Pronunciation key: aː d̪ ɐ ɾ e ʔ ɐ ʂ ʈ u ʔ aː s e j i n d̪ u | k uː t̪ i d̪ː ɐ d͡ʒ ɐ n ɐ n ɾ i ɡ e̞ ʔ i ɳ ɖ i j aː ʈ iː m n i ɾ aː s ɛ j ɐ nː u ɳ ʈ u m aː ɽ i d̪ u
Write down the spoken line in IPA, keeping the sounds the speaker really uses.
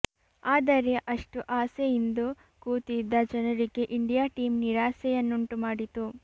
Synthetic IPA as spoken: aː d̪ ɐ ɾ e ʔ ɐ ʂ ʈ u ʔ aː s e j i n d̪ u | k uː t̪ i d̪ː ɐ d͡ʒ ɐ n ɐ ɾ i ɡ e̞ ʔ i ɳ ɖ i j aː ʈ iː m n i ɾ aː s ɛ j ɐ nː u ɳ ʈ u m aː ɽ i t̪ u